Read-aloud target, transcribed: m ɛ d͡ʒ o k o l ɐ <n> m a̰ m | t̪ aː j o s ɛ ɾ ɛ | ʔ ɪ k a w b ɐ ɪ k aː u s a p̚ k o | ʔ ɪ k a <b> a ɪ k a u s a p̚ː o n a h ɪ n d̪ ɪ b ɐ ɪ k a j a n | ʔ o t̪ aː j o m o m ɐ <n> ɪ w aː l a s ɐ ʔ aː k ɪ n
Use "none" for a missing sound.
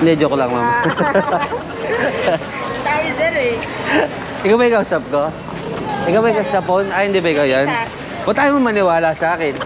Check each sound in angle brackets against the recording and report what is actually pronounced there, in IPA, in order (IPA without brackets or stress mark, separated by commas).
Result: ŋ, w, n